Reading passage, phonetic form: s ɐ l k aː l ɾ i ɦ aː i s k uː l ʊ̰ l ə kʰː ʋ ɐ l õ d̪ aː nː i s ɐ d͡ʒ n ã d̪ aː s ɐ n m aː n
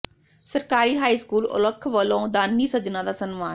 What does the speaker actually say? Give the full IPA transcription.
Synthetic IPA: s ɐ ɾ k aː ɾ i ɦ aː i s k uː l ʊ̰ l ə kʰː ʋ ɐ l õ d̪ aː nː i s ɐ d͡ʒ n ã d̪ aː s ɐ n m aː n